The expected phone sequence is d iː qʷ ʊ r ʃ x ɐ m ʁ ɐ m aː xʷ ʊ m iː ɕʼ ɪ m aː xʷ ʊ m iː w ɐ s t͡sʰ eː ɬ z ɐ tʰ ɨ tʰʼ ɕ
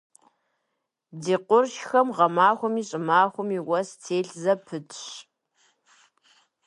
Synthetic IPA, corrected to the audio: d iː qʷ ʊ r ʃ x ɐ m ʁ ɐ m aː xʷ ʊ m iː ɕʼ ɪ m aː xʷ ʊ m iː w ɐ s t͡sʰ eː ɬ z ɐ pʰ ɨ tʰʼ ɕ